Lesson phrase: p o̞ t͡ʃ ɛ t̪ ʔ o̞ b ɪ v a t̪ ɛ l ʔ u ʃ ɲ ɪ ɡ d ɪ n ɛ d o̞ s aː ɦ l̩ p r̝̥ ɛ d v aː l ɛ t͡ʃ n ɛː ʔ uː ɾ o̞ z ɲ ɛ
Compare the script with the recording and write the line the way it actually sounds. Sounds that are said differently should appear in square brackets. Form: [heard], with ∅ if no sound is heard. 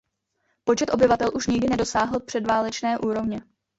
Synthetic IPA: p o̞ t͡ʃ ɛ t̪ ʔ o̞ b ɪ v a t̪ ɛ l ʔ u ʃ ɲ ɪ ɡ d ɪ n ɛ d o̞ s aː ɦ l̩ p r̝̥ ɛ d v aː l ɛ t͡ʃ n ɛː ʔ uː ɾ o̞ [v] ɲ ɛ